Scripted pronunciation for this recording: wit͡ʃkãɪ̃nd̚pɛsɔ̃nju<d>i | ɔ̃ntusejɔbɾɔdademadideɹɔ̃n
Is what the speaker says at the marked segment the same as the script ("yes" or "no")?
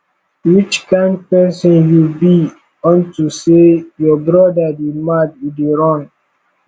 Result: no